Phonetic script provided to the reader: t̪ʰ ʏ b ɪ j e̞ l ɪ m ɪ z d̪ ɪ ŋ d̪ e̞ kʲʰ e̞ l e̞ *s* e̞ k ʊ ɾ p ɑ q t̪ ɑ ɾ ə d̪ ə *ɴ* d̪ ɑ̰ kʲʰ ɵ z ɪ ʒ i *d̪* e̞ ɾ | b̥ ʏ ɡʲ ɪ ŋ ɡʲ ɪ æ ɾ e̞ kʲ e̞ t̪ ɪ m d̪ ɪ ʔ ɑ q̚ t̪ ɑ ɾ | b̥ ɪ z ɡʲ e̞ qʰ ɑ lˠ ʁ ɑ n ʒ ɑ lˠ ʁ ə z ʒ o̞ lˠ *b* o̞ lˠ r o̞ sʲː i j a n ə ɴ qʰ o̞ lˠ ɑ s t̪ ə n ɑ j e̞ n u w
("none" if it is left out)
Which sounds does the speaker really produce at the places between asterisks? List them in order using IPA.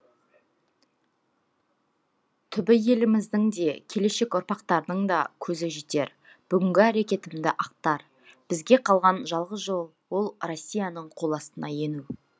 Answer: ʃ, ɴ, t̪, w

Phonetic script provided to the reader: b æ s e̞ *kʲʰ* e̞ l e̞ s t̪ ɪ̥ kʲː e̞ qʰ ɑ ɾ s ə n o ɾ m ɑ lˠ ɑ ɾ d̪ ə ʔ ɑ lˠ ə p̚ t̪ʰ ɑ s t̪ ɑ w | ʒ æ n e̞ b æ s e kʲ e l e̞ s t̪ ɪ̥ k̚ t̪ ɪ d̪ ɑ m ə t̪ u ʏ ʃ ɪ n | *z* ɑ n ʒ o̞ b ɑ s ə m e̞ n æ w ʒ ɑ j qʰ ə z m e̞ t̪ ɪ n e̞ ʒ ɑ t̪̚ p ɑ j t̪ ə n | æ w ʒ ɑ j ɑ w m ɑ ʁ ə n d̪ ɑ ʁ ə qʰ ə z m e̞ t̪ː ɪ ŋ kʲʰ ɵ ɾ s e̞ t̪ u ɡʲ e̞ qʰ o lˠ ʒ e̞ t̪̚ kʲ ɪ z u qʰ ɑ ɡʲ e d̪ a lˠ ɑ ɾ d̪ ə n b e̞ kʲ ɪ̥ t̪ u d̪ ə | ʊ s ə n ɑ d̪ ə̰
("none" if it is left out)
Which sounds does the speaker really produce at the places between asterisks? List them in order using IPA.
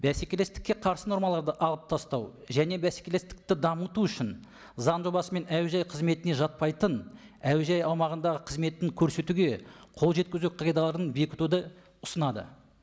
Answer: kʲ, z

